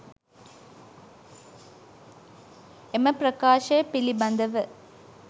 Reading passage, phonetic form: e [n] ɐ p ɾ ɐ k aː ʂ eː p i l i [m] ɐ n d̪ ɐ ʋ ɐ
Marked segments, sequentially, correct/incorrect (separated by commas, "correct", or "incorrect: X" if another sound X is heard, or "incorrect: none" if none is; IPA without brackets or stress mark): incorrect: m, incorrect: b